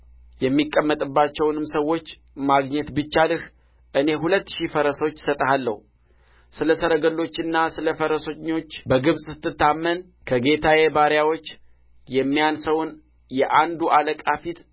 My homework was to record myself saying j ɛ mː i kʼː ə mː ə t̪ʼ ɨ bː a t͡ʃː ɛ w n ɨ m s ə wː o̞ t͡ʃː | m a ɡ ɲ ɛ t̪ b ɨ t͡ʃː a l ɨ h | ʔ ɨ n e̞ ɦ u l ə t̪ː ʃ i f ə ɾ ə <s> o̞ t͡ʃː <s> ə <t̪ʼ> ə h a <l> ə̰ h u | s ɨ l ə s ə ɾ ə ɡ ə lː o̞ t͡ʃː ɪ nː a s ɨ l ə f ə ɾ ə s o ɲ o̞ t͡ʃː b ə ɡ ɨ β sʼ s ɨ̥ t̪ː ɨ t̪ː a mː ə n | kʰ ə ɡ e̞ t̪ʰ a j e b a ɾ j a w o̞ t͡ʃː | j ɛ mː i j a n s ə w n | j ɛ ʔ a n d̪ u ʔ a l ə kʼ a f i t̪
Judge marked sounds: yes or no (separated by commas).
yes, yes, yes, no